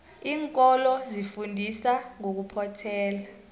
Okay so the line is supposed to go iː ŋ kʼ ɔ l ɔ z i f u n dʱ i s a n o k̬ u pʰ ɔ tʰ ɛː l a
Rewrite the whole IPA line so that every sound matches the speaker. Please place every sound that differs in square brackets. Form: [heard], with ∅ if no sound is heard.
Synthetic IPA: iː ŋ kʼ ɔ l ɔ z i f u n dʱ i s a [ŋ] o k̬ u pʰ ɔ tʰ ɛː l a